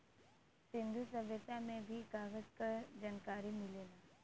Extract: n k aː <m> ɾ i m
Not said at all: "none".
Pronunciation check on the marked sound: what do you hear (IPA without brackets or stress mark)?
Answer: none